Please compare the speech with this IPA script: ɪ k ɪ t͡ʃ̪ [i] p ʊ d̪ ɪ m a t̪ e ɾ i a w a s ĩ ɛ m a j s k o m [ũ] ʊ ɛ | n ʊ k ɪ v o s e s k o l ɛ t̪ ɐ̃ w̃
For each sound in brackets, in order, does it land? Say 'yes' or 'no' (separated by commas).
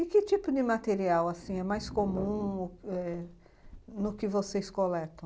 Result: yes, yes